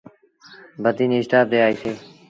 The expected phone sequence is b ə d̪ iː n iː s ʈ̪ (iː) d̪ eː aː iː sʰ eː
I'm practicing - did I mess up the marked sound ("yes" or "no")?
yes